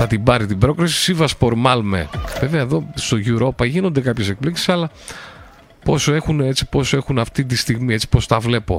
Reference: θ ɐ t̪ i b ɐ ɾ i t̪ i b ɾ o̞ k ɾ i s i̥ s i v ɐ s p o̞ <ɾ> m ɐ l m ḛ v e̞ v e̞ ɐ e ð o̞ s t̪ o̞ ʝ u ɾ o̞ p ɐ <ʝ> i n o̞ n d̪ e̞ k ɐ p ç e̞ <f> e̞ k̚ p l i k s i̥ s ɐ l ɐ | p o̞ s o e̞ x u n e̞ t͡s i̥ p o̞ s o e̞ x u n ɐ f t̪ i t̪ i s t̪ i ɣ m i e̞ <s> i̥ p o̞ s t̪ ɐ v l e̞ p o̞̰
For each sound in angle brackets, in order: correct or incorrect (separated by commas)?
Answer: correct, correct, incorrect, incorrect